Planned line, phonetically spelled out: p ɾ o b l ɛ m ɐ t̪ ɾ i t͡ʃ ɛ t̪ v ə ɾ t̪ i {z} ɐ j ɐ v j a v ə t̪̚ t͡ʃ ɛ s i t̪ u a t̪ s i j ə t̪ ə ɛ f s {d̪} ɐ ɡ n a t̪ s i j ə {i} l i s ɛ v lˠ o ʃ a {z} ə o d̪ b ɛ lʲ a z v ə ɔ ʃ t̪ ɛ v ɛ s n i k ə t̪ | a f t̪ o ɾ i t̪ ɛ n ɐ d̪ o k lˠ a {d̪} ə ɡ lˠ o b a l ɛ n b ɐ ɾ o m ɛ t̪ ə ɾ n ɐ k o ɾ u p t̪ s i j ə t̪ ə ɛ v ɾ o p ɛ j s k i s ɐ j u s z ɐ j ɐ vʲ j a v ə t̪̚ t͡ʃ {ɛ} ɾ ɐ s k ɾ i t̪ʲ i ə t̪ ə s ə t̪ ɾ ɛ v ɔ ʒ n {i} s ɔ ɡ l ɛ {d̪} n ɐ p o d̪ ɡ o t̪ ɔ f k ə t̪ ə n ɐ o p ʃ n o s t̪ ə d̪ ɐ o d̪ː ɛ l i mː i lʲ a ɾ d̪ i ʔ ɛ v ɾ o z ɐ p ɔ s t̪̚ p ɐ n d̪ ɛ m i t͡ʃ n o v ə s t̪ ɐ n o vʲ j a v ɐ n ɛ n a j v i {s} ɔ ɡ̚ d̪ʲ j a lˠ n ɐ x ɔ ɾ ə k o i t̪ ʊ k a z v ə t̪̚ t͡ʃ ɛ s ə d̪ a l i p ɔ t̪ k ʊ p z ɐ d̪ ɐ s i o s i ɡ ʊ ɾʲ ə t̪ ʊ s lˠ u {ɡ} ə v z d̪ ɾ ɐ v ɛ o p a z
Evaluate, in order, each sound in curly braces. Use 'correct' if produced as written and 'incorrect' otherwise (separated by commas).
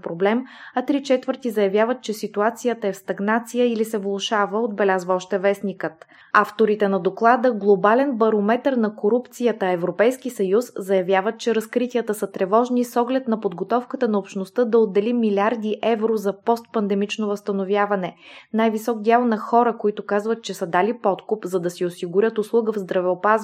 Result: correct, incorrect, correct, incorrect, correct, correct, correct, incorrect, correct, correct